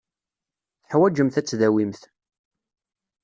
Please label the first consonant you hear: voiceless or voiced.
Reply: voiceless